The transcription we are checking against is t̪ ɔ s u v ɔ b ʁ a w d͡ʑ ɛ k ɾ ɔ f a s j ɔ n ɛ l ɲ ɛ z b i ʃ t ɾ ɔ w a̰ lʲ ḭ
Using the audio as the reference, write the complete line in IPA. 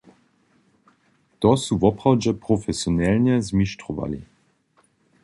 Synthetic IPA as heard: t̪ ɔ s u v ɔ p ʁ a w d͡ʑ ɛ p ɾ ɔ f ɛ s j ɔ n ɛ l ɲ ɛ z m i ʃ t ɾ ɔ v a̰ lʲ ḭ